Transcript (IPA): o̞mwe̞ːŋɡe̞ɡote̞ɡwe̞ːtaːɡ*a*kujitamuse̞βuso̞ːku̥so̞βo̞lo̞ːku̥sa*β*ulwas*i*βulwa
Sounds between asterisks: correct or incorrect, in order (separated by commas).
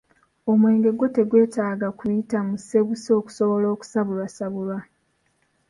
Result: correct, correct, incorrect